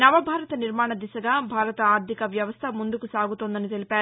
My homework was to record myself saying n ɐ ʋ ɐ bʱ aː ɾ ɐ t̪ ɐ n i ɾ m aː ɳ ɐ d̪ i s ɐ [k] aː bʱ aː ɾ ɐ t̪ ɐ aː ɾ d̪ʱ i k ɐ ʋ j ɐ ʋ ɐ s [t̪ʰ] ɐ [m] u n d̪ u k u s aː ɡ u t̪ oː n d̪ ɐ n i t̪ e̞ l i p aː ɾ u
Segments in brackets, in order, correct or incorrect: incorrect, correct, correct

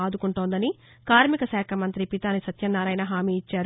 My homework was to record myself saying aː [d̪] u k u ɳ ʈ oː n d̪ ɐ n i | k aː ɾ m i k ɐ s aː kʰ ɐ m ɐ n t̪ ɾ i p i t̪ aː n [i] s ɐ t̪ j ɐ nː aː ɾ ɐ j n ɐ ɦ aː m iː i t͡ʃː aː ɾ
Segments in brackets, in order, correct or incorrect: correct, correct

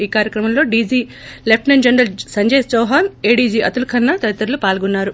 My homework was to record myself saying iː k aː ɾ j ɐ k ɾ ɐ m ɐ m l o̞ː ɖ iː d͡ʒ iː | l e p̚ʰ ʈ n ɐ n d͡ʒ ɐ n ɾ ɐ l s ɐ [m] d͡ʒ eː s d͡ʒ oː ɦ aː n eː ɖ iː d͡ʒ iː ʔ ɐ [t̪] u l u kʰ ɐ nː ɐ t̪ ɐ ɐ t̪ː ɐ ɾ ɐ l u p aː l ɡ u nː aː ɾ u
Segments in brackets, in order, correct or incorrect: incorrect, correct

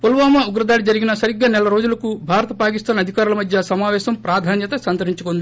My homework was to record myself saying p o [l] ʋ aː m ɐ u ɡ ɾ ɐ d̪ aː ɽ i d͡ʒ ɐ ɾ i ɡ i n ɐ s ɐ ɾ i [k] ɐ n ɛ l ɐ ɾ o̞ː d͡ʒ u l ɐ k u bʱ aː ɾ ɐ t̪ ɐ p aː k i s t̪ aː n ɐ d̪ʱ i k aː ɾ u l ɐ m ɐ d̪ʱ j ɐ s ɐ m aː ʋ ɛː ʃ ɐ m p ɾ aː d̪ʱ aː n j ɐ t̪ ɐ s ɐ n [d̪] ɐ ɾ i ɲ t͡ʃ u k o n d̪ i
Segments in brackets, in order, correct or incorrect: correct, incorrect, incorrect

